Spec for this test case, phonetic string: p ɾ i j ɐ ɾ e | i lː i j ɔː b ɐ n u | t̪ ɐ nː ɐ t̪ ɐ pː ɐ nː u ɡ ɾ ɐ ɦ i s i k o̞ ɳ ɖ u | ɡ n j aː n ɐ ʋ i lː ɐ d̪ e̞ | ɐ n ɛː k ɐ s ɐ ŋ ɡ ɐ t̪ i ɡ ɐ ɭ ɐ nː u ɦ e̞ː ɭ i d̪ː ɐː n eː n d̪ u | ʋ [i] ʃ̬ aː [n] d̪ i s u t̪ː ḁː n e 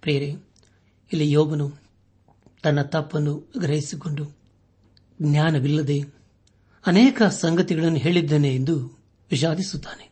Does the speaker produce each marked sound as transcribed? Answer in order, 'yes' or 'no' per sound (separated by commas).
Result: yes, no